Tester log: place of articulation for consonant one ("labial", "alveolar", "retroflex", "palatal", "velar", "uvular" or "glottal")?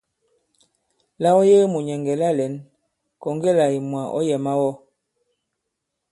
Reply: alveolar